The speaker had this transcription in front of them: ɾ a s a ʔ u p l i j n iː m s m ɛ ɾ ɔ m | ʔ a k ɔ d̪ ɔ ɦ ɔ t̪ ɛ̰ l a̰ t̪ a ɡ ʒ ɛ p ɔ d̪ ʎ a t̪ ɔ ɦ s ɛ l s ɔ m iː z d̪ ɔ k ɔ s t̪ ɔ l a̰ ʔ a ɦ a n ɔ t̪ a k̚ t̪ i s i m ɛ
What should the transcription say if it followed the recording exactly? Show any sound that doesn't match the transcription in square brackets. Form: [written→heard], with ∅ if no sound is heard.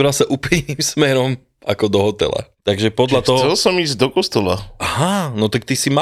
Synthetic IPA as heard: ɾ a s a ʔ u p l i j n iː m s m ɛ ɾ ɔ m | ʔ a k ɔ d̪ ɔ ɦ ɔ t̪ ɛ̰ l a̰ t̪ a ɡ ʒ ɛ p ɔ d̪ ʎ a t̪ ɔ ɦ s ɛ l s ɔ m iː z d̪ ɔ k ɔ s t̪ ɔ l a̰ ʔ a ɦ a n ɔ t̪ a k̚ t̪ i s i m [ɛ→a]